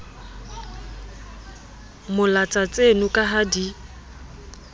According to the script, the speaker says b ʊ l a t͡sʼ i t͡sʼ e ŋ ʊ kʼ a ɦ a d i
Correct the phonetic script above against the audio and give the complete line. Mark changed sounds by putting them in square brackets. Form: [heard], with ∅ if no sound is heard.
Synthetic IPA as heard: [m] ʊ l a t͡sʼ [a] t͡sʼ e [n] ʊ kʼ a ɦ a d i